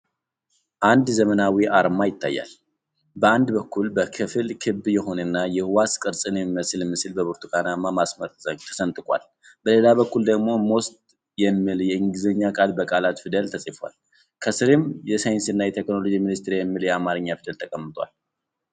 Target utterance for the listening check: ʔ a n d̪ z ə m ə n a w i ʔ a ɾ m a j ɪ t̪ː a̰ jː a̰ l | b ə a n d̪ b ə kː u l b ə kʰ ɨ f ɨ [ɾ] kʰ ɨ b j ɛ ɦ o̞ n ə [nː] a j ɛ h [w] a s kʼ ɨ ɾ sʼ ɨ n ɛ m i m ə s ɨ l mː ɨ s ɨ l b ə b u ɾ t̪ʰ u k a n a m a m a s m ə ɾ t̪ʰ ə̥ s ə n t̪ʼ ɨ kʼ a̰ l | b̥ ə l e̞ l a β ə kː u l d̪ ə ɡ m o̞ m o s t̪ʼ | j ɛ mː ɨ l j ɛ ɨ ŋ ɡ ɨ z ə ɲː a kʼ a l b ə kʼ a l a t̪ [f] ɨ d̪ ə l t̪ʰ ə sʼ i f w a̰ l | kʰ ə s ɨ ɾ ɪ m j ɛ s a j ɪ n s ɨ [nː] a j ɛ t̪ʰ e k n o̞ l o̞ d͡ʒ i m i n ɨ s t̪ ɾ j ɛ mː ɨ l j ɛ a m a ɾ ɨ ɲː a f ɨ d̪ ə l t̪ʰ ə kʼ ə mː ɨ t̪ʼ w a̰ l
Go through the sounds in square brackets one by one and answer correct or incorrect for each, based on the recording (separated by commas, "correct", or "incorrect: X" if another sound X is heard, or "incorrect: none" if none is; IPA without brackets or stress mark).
incorrect: l, correct, correct, correct, correct